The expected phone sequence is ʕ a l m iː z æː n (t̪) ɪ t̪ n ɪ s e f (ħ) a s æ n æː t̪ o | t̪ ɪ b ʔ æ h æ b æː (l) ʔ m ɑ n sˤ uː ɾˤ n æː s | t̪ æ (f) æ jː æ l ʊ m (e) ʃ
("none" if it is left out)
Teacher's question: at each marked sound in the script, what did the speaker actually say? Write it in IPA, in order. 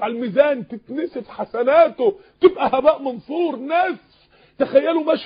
t̪, ħ, none, x, æ

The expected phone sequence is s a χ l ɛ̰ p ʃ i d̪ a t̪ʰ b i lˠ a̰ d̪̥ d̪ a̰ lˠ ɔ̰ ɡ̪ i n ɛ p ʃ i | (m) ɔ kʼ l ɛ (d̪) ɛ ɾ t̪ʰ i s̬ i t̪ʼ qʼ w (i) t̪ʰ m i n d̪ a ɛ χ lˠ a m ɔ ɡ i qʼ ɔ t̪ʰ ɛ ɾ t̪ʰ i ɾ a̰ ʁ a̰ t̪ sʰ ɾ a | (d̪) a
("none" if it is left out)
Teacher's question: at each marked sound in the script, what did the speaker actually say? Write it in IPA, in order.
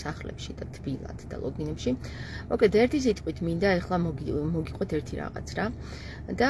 m, t̪, i, d̪

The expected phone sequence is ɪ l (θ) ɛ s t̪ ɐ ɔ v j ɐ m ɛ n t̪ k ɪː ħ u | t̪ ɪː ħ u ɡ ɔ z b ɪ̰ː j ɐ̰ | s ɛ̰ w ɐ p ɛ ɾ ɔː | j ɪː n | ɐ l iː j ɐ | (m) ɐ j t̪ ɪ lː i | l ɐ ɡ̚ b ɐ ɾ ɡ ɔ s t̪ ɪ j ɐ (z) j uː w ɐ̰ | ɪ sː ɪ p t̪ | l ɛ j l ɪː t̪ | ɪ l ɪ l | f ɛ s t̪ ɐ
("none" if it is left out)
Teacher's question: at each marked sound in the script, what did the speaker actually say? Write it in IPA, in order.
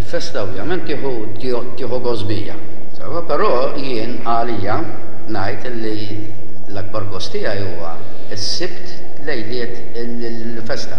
f, n, none

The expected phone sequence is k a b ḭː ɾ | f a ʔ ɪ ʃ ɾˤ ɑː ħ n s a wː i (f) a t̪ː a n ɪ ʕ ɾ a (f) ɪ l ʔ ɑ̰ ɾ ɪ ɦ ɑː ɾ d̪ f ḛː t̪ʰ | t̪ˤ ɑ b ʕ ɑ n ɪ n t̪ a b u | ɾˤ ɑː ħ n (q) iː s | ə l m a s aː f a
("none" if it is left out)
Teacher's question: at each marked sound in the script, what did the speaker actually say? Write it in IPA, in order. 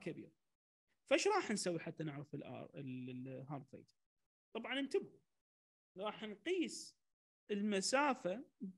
ħ, f, q

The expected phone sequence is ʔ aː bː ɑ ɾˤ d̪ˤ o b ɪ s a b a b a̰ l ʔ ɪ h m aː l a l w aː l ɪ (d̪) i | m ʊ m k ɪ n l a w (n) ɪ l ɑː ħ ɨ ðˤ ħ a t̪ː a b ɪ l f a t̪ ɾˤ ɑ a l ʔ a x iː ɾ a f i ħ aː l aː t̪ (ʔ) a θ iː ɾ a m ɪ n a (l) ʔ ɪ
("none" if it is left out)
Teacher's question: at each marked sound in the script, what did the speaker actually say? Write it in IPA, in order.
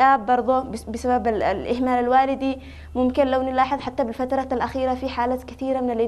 d̪, n, k, l

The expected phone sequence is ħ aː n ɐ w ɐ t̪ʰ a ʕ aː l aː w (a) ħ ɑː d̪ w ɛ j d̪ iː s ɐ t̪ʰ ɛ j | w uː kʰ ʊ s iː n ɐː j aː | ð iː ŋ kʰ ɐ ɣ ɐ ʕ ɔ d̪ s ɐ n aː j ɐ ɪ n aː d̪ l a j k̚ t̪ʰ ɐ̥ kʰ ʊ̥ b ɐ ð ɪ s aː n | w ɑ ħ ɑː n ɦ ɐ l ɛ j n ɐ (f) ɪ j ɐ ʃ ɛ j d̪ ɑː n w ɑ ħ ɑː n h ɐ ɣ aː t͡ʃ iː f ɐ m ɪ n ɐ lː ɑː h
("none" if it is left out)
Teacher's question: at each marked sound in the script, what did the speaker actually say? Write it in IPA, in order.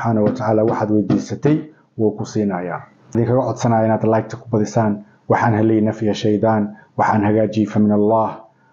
ɑ, f

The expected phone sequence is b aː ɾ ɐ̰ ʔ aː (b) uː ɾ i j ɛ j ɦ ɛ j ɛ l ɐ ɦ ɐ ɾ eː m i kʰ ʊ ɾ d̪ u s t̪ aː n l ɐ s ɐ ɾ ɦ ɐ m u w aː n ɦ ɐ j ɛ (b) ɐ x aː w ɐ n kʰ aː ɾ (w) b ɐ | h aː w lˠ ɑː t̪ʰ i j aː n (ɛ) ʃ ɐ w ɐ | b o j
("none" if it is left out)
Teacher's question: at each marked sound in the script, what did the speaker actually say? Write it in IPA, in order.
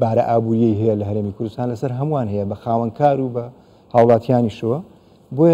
b, b, u, i

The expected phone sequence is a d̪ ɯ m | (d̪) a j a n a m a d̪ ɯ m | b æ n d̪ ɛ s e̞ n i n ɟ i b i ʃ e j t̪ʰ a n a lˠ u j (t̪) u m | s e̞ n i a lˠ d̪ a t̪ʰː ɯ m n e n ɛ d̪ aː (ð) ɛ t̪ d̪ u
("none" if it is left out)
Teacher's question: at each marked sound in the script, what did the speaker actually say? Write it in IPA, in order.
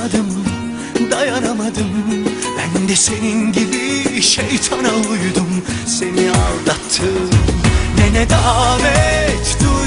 d̪, d̪, v

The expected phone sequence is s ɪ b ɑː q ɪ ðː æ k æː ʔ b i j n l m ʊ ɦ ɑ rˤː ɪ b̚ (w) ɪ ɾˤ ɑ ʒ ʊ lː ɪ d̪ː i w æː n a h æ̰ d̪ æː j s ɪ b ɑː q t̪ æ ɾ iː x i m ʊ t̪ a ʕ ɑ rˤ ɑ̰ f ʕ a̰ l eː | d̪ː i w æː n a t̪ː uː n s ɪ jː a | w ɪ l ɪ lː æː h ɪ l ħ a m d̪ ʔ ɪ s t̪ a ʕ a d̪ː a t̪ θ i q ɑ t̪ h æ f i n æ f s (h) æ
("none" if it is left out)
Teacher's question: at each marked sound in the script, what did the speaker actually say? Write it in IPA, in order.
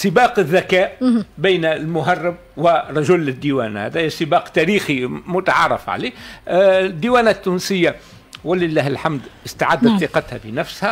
w, h

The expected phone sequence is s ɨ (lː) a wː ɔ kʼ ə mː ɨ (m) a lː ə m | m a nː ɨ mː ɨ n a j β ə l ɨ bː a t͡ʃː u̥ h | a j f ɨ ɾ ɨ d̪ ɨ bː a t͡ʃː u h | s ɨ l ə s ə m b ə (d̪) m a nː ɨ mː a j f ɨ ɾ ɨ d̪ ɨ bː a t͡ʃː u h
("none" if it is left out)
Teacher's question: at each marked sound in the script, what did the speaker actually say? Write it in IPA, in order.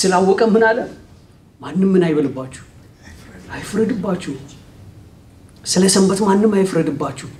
l, n, t̪

